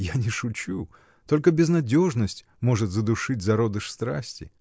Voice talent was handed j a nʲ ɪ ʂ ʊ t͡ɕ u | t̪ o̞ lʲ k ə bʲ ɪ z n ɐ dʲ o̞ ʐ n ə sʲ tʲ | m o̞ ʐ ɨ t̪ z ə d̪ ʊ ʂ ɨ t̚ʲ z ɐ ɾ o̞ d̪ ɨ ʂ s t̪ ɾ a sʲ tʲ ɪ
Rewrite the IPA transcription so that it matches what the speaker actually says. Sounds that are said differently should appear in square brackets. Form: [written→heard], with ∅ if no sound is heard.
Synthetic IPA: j a nʲ ɪ ʂ ʊ t͡ɕ u | t̪ o̞ lʲ k ə bʲ ɪ z n ɐ dʲ o̞ ʐ n ə sʲ tʲ | m o̞ ʐ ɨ t̪ z ə d̪ ʊ ʂ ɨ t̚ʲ z ɐ ɾ o̞ d̪ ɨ ʂ s t̪ ɾ a sʲ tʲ ɪ